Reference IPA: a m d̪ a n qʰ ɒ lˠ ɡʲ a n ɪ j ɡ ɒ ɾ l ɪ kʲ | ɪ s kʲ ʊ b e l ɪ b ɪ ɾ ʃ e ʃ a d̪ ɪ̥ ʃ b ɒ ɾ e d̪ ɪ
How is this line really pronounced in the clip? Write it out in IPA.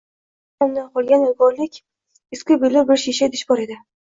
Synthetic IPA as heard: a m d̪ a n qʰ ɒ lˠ ɡʲ a n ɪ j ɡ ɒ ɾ l ɪ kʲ | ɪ s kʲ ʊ b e l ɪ b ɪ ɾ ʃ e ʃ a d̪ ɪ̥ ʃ b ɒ ɾ e d̪ ɪ